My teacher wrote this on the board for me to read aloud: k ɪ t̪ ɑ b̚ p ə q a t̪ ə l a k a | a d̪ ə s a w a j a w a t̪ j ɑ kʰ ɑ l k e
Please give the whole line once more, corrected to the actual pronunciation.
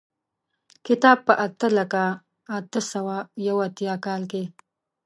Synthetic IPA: k ɪ t̪ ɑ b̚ p ə ʔ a t̪ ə l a k a | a t̪ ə s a w a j a w a t̪ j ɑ k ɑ l k e